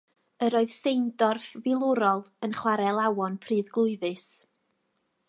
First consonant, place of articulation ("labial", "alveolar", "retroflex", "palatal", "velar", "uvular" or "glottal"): alveolar